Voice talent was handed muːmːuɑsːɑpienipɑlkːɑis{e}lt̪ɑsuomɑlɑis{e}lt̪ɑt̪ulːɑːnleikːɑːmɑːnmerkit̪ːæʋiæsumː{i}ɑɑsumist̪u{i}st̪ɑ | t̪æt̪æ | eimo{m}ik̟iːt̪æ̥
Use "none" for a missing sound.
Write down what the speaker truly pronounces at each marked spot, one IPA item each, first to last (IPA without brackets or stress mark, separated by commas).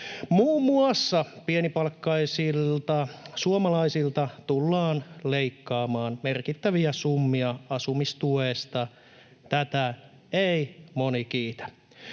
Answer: i, i, i, e, n